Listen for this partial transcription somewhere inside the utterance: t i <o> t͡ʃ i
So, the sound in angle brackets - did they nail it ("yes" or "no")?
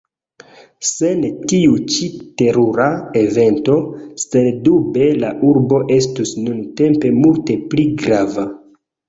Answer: no